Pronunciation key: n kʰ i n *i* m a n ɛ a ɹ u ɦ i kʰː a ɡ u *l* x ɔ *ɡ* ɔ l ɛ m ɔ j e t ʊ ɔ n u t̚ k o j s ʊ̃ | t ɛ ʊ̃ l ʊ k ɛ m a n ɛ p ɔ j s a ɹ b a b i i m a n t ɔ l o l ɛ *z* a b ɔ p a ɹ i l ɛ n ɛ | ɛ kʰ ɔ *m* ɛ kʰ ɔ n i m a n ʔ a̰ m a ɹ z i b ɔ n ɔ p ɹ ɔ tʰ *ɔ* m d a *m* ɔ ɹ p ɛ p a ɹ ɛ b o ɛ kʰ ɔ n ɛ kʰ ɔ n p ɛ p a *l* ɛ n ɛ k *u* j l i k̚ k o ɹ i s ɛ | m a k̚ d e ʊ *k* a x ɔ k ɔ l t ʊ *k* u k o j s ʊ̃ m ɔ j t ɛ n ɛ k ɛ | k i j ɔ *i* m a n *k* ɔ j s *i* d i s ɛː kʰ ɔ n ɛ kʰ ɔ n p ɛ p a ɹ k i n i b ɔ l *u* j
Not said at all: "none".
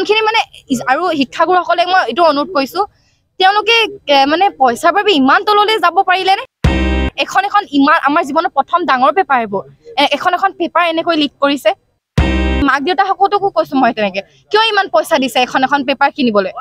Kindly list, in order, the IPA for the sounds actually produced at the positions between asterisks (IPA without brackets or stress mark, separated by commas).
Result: i, ɹ, k, z, n, ɔ, ŋ, ɹ, o, t, k, i, p, a, o